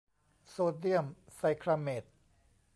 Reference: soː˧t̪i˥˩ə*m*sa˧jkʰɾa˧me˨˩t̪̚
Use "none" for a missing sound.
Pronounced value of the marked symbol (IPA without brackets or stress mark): m